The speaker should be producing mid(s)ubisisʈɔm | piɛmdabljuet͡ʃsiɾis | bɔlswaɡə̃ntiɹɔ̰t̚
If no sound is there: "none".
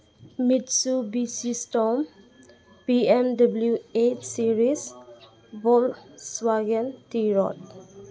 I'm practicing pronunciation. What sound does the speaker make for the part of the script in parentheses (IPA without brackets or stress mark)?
s